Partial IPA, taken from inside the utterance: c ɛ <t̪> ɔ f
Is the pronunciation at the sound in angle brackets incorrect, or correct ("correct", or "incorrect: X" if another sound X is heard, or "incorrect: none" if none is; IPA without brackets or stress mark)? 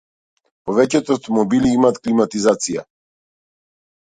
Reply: correct